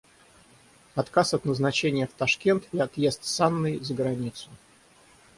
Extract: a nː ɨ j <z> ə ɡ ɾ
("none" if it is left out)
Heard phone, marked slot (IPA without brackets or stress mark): z